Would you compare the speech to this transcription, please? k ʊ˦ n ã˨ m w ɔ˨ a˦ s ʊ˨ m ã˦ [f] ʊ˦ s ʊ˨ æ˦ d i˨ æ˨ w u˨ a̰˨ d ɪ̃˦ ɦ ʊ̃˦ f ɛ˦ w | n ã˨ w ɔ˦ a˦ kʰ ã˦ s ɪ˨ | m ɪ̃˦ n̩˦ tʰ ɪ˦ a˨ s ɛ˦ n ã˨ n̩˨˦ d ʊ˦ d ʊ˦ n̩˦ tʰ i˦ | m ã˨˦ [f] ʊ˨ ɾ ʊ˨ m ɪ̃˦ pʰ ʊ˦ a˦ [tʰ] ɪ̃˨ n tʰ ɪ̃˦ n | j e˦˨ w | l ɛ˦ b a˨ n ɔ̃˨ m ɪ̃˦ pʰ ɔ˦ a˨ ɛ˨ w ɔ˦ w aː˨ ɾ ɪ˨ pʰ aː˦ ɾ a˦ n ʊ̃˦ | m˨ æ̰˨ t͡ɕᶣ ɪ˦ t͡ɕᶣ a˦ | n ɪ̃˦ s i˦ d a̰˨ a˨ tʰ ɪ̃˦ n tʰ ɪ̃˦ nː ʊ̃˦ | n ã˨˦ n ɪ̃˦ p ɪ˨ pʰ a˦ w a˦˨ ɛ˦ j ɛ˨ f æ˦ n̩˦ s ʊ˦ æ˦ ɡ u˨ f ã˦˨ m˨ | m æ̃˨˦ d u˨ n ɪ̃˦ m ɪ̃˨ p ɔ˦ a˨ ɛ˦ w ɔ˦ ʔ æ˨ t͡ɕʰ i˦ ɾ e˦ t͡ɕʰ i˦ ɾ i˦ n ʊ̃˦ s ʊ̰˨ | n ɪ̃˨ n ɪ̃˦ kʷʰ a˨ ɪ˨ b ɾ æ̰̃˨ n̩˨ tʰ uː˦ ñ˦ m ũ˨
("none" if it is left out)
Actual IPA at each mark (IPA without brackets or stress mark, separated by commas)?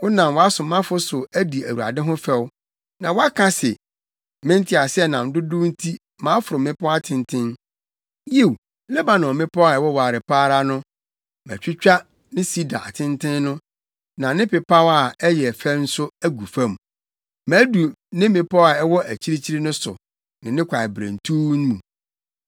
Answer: f, f, tʰ